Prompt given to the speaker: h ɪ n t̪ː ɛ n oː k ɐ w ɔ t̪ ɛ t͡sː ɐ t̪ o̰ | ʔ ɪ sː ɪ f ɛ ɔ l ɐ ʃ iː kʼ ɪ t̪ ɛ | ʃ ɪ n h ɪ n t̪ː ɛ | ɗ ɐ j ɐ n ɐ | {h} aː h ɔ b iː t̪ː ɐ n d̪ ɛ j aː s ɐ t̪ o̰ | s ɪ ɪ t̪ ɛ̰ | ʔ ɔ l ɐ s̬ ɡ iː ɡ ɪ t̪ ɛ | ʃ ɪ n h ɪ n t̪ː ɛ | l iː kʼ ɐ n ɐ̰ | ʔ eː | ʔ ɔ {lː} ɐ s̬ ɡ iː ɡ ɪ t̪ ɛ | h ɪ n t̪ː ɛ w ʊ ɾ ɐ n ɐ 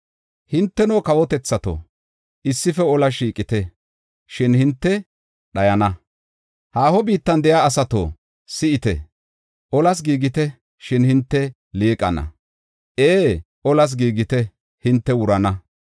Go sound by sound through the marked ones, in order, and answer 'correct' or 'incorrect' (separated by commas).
correct, incorrect